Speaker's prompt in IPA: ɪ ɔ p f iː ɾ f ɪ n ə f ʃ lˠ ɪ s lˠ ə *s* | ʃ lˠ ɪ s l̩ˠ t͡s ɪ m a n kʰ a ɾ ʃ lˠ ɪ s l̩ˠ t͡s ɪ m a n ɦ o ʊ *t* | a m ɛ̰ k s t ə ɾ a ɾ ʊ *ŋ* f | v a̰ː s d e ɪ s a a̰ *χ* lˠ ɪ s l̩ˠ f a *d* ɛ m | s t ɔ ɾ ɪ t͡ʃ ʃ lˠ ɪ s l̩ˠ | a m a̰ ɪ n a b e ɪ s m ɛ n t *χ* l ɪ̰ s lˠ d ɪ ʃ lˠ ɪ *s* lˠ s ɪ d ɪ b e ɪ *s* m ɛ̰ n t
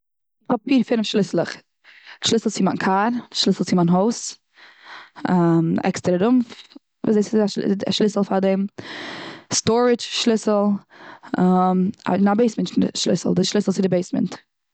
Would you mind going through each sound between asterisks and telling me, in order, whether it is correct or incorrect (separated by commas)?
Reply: incorrect, incorrect, incorrect, incorrect, correct, incorrect, correct, correct